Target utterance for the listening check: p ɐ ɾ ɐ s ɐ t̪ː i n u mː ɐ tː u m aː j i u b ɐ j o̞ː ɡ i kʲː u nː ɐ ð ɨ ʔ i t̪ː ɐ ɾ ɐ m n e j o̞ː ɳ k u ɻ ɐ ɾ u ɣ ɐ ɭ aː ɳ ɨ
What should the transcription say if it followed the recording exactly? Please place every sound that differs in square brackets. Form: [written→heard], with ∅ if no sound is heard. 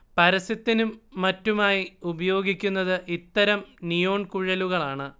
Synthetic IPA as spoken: p ɐ ɾ ɐ s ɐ t̪ː i n u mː ɐ tː u m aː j i u b ɐ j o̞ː ɡ i kʲː u nː ɐ ð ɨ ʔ i t̪ː ɐ ɾ ɐ m n [e→i] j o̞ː ɳ k u ɻ ɐ [ɾ→l] u ɣ ɐ ɭ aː ɳ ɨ